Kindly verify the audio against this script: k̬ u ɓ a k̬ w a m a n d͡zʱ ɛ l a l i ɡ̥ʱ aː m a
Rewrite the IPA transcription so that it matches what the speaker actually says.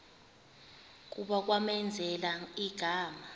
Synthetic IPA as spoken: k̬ u ɓ a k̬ w a m ɛ n d͡zʱ ɛ l a i ɡ̥ʱ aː m a